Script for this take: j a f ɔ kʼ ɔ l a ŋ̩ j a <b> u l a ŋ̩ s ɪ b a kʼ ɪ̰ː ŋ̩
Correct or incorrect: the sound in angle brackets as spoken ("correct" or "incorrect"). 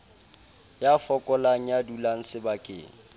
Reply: incorrect